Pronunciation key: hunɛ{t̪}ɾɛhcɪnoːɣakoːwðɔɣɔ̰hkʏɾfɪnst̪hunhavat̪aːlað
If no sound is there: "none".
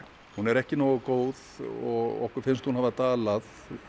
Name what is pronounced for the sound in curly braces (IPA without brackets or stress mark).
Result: none